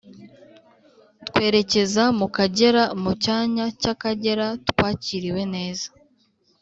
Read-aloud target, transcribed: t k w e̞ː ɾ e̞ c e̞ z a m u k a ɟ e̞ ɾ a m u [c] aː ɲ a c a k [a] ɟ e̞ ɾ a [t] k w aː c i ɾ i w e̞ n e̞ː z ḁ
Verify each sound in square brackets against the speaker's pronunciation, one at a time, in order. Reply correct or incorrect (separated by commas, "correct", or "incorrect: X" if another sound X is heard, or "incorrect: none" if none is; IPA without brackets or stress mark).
correct, correct, correct